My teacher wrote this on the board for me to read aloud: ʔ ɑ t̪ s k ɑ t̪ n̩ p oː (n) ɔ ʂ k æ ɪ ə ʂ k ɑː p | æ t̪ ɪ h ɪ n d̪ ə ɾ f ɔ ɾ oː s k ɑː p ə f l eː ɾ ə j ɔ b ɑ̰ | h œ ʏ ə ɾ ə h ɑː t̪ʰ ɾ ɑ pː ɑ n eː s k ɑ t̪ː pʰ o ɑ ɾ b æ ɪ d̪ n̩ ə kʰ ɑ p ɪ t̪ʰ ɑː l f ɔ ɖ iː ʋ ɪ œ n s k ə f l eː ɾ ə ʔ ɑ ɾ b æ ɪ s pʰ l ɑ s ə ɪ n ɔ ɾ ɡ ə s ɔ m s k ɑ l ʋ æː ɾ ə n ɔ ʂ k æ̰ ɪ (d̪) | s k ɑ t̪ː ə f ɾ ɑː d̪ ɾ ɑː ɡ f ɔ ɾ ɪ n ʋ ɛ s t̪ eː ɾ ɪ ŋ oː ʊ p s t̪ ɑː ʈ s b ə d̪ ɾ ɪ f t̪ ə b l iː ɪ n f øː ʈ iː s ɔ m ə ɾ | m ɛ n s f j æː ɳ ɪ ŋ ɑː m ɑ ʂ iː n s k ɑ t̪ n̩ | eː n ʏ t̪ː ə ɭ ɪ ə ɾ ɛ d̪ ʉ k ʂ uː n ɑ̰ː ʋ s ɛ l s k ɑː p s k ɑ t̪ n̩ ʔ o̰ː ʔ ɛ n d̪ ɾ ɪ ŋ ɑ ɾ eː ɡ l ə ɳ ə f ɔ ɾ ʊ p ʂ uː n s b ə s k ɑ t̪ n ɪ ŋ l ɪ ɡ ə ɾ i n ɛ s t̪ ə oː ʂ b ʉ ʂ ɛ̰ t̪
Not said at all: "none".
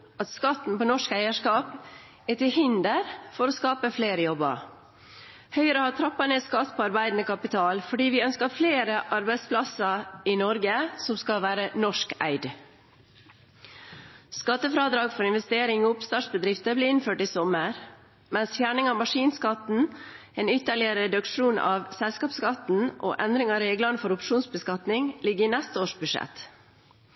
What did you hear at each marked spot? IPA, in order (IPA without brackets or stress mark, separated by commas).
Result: n, d̪